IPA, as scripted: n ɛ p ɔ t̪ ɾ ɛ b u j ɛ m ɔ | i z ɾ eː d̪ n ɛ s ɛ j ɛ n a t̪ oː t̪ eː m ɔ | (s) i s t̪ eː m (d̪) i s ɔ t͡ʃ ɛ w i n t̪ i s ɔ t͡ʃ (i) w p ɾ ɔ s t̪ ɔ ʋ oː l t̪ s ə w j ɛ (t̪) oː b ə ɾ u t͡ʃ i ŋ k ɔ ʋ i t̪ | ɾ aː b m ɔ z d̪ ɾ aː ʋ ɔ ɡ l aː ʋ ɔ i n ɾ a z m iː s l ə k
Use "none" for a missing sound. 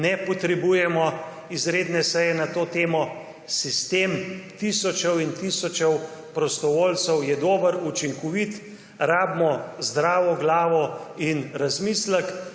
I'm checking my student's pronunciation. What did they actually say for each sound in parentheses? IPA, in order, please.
s, t̪, ɛ, d̪

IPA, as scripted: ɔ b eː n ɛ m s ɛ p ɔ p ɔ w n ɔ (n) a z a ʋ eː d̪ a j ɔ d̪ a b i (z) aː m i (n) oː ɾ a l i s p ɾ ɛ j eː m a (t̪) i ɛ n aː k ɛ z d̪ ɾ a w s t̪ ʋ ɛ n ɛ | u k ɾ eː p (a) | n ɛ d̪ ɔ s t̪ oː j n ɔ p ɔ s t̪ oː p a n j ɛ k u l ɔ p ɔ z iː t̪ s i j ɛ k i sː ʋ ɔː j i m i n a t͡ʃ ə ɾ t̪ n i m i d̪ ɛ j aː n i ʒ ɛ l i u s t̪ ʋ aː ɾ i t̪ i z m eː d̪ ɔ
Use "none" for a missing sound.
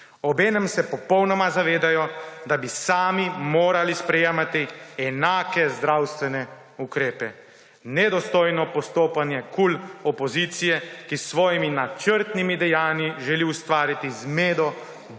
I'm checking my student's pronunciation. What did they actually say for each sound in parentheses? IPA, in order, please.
m, s, m, t̪, ɛ

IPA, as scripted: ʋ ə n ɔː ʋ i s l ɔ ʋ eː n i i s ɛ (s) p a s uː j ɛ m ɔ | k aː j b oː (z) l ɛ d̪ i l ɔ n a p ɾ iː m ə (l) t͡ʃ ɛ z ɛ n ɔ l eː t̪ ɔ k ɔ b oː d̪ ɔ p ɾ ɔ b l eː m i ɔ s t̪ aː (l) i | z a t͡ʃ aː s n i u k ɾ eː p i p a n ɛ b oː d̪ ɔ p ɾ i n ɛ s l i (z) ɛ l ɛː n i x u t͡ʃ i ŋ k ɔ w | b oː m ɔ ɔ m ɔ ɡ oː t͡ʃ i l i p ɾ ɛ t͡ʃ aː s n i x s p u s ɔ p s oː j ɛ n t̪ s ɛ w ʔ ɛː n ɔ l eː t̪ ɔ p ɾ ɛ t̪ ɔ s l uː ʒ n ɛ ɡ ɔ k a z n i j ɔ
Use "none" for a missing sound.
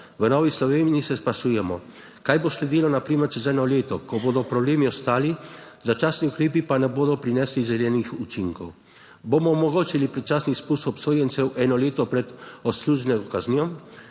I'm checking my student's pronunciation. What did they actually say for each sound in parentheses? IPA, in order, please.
s, s, ɾ, l, z

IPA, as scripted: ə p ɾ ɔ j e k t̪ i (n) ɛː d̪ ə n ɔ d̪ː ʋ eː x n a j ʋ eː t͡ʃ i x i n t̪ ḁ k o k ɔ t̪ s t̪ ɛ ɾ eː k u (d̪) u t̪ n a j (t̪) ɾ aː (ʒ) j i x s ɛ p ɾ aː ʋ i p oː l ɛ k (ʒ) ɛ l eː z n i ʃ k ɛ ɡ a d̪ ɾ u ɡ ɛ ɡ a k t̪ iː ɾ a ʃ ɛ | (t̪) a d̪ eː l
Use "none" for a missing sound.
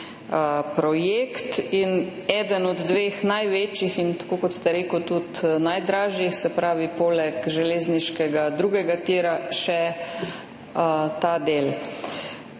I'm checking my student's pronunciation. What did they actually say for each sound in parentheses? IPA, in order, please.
n, t̪, d̪, ʒ, ʒ, t̪

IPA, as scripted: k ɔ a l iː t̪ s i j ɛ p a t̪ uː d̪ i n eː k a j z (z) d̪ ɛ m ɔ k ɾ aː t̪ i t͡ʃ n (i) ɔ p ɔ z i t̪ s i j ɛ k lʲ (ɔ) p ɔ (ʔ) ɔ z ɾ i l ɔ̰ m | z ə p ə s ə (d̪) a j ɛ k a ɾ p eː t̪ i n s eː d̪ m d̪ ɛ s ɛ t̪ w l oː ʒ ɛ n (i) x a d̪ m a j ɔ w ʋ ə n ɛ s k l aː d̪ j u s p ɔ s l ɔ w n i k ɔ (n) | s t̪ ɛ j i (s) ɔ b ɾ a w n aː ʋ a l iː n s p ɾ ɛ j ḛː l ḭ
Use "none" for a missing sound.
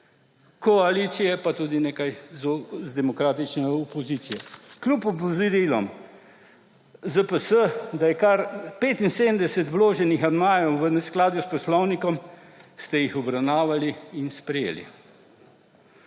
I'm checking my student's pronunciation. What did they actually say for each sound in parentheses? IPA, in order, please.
z, ɛ, u, p, d̪, i, m, x

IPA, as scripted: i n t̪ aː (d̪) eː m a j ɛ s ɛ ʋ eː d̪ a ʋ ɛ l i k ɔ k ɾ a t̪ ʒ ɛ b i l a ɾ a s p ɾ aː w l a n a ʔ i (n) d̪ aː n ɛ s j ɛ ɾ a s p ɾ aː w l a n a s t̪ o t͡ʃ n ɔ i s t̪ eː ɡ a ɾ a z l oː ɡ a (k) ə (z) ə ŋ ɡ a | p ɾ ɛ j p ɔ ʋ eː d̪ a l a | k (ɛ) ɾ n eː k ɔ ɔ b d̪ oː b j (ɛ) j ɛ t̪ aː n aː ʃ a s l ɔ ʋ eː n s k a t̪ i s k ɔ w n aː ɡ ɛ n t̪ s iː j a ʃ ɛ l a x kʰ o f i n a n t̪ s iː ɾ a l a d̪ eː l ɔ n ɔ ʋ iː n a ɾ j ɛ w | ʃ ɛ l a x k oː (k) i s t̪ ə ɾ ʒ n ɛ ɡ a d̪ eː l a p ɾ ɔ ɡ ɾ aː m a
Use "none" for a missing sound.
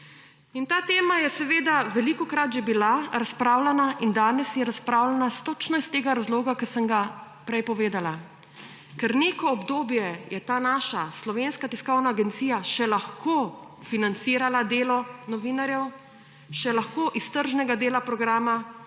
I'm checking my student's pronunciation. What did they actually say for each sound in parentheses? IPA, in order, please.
t̪, n, k, s, ɛ, ɛ, ʔ

